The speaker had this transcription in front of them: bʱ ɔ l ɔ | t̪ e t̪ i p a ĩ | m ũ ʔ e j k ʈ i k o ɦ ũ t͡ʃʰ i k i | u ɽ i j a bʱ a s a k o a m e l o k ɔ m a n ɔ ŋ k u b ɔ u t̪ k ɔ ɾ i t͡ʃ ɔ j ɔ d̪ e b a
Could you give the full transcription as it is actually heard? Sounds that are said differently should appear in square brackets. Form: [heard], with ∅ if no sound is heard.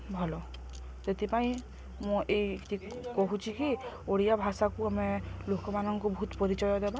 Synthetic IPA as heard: bʱ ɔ l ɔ | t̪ e t̪ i p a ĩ | m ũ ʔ e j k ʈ i k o ɦ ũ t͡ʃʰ i k i | [o] ɽ i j a bʱ a s a k [u] a m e l o k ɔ m a n ɔ ŋ k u b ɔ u t̪ [p] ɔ ɾ i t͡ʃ ɔ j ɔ d̪ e b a